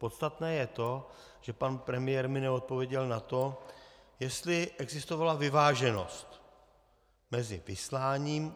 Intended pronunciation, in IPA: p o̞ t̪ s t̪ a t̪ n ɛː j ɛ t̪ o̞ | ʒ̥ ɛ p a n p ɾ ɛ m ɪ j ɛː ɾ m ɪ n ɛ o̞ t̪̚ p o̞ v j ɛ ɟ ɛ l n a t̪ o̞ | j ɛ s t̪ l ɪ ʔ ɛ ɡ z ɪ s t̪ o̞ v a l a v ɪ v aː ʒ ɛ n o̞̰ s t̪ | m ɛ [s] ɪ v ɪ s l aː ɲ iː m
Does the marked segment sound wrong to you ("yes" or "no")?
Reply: yes